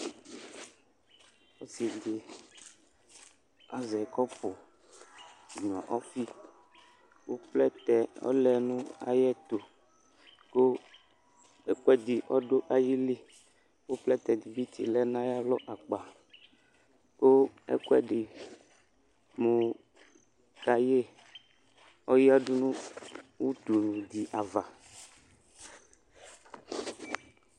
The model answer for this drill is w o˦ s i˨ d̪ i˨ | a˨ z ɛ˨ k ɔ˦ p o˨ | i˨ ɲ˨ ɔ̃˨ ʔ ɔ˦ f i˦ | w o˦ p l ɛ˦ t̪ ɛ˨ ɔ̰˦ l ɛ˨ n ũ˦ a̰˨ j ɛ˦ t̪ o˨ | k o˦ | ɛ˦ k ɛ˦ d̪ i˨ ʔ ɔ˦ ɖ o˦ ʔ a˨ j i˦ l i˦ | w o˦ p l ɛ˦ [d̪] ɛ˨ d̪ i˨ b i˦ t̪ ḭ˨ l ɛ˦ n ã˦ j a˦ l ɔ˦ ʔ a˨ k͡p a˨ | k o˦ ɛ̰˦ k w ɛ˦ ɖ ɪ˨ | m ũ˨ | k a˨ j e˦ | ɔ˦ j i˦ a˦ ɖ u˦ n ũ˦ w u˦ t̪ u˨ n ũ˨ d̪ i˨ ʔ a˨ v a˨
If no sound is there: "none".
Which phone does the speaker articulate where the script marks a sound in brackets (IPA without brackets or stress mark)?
t̪